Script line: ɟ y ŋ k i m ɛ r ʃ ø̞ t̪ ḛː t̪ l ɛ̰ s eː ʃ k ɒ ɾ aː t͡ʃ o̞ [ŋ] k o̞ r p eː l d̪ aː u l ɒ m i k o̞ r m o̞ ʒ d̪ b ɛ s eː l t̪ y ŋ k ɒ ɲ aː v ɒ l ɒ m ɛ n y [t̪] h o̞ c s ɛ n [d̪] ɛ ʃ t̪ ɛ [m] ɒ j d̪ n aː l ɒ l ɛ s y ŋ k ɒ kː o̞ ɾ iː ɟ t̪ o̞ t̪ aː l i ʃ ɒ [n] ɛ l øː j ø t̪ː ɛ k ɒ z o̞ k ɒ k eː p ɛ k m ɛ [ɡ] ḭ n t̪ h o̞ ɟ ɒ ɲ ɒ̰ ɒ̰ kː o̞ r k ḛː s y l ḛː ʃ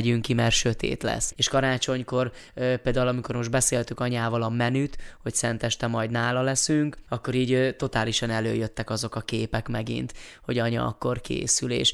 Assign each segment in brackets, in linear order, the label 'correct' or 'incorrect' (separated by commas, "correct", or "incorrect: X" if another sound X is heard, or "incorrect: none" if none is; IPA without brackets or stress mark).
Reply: incorrect: ɲ, correct, incorrect: t̪, correct, correct, correct